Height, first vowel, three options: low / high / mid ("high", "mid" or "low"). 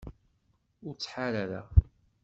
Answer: high